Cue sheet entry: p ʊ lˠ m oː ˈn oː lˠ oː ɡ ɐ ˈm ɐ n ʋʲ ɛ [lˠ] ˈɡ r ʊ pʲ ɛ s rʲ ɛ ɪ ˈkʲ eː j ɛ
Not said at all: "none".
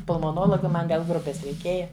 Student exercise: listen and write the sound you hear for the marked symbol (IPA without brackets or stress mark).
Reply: lˠ